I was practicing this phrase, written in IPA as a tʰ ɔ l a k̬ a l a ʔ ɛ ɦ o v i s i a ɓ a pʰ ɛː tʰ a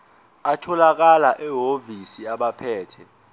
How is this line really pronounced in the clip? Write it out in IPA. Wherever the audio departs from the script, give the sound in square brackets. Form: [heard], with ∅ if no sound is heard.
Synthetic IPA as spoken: a tʰ ɔ l a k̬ a l a ʔ ɛ ɦ o v i s i a ɓ a pʰ ɛː tʰ [ɛ]